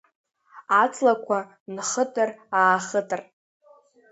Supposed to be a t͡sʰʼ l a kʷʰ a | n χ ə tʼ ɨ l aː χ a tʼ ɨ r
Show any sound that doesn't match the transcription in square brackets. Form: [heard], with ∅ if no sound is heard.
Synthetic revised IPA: a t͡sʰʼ l a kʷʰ a | n χ ə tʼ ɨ [r] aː χ [ə] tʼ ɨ r